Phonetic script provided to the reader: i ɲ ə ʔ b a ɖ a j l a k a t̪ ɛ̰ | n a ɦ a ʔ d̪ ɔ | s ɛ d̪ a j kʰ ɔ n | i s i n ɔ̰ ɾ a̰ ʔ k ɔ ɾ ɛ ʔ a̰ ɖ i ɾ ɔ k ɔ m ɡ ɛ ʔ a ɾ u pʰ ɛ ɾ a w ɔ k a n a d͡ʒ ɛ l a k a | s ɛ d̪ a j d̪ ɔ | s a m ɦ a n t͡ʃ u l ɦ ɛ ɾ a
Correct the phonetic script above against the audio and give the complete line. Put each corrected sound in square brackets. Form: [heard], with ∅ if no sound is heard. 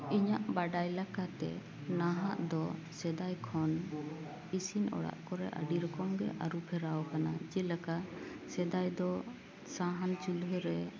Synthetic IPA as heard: i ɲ [a] ʔ b a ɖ a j l a k a t̪ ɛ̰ | n a ɦ a ʔ d̪ ɔ | s ɛ d̪ a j kʰ ɔ n | i s i n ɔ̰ [ɽ] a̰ ʔ k ɔ ɾ ɛ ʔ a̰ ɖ i ɾ ɔ k ɔ m ɡ ɛ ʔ a ɾ u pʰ ɛ ɾ a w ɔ k a n a d͡ʒ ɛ l a k a | s ɛ d̪ a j d̪ ɔ | s a [∅] ɦ a n t͡ʃ u l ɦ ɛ ɾ [ɛ]